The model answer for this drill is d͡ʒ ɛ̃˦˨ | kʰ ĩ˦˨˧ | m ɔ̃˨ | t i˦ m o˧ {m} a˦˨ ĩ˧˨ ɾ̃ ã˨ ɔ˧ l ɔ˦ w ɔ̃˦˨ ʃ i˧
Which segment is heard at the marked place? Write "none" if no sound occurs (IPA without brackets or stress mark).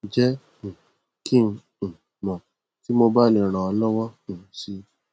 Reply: b